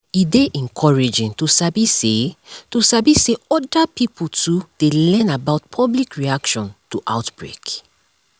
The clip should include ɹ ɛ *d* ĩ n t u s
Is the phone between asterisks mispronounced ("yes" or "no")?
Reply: yes